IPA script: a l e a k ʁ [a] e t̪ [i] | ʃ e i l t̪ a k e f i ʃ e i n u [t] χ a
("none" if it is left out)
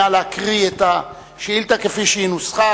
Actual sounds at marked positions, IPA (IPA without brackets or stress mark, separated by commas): i, a, s